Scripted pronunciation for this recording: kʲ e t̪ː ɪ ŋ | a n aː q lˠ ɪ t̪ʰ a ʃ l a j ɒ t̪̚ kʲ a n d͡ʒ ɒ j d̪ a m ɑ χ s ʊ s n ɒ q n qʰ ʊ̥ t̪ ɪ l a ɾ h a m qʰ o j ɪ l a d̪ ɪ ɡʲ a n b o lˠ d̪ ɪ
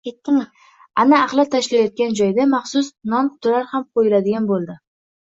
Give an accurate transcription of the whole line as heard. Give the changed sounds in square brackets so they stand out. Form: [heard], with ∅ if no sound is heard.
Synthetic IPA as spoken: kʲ e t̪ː ɪ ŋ | a n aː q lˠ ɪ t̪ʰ a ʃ l a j ɒ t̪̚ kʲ a n d͡ʒ ɒ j d̪ a m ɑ χ s ʊ s n ɒ [∅] n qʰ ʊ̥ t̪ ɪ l a ɾ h a m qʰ o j ɪ l a d̪ ɪ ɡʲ a n b o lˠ d̪ ɪ